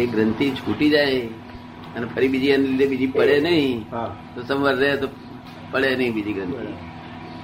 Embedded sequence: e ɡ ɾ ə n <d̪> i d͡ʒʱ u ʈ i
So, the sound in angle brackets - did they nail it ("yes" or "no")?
no